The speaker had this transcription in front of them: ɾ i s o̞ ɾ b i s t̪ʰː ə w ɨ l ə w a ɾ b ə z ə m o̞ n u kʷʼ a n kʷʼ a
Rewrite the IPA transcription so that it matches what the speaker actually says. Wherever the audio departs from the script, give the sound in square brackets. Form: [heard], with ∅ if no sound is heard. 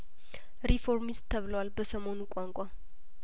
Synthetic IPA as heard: ɾ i [f] o̞ ɾ [m] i s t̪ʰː ə [β] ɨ l ə w a [l] b ə [s] ə m o̞ n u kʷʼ a [ŋ] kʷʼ a